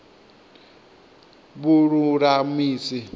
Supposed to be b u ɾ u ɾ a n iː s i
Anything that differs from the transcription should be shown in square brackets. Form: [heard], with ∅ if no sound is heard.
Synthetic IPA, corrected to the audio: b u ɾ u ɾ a [m] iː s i